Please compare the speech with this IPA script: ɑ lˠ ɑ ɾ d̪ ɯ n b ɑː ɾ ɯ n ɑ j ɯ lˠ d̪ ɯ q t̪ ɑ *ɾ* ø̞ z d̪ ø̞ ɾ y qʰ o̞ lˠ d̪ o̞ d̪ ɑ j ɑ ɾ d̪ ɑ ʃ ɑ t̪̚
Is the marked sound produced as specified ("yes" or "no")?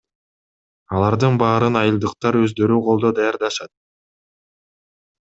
yes